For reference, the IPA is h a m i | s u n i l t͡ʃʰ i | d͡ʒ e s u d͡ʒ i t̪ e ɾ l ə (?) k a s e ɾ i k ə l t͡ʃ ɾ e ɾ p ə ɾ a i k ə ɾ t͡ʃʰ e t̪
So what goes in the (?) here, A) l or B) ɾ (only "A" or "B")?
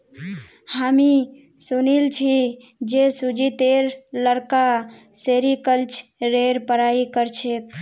B